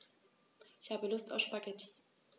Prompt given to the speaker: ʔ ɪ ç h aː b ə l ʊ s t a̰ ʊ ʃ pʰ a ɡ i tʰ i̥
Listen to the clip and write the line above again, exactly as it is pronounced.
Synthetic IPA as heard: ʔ ɪ ç h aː b ə l ʊ s t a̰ ʊ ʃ p a ɡ ɛ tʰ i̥